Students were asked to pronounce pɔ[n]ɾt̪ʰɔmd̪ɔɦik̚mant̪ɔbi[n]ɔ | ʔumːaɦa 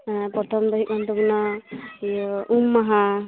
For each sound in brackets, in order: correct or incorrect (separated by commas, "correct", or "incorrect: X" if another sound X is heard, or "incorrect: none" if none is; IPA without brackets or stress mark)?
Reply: incorrect: none, correct